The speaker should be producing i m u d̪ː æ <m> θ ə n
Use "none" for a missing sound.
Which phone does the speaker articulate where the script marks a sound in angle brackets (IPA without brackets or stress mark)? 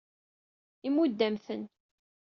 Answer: m